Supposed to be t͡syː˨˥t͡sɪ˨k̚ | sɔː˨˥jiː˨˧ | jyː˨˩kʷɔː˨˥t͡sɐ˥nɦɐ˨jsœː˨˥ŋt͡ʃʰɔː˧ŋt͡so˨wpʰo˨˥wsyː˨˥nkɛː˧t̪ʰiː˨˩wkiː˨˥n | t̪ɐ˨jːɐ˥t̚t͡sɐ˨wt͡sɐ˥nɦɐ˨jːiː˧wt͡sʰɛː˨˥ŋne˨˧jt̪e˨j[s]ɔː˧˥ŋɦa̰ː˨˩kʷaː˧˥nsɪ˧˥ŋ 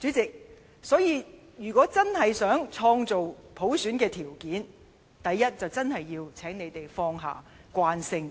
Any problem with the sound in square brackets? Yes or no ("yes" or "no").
yes